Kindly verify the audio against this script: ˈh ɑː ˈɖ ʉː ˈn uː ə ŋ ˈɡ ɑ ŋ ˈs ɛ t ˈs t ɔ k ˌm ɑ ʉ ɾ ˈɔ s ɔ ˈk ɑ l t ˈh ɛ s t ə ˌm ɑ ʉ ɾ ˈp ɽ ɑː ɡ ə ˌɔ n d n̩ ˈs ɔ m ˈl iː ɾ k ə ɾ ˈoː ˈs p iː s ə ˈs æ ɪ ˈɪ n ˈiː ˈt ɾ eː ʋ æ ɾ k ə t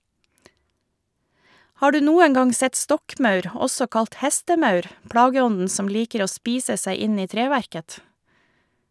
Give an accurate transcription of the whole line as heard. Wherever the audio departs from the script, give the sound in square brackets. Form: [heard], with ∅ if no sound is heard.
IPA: ˈh ɑː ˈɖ ʉː ˈn uː ə ŋ ˈɡ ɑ ŋ ˈs ɛ t ˈs t ɔ k ˌm ɑ ʉ ɾ ˈɔ s ɔ ˈk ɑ l t ˈh ɛ s t ə ˌm ɑ ʉ ɾ ˈp ɽ ɑː ɡ ə ˌɔ n d n̩ ˈs ɔ m ˈl iː [∅] k ə ɾ ˈoː ˈs p iː s ə ˈs æ ɪ ˈɪ n ˈiː ˈt ɾ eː ʋ æ ɾ k ə t